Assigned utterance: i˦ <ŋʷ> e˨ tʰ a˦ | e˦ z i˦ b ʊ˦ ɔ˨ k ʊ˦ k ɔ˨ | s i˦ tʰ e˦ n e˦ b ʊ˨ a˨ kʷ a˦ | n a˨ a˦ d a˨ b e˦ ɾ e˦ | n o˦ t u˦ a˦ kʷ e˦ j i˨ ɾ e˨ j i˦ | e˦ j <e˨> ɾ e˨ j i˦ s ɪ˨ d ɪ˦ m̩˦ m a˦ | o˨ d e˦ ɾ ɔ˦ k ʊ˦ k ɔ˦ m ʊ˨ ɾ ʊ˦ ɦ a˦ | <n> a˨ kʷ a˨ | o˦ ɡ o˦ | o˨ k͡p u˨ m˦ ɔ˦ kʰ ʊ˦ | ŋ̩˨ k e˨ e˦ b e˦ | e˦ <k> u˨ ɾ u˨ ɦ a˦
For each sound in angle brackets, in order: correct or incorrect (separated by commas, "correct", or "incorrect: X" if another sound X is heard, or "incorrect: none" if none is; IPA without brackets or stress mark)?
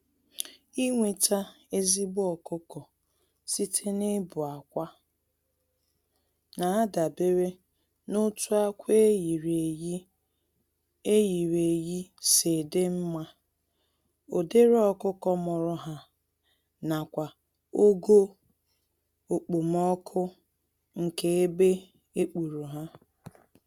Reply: correct, incorrect: i˨, correct, incorrect: k͡p